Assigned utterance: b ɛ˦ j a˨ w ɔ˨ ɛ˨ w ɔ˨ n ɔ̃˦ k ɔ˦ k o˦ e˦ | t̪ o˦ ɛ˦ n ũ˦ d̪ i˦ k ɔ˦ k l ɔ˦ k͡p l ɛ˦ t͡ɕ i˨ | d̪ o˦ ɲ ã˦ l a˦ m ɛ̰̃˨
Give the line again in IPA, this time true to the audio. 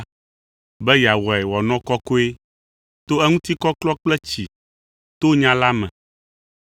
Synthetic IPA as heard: b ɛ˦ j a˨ w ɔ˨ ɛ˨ w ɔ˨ n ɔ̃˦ k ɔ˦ k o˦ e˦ | t̪ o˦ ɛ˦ ŋ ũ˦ t̪ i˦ k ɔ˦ k l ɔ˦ k͡p l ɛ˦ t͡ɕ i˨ | t̪ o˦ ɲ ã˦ l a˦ m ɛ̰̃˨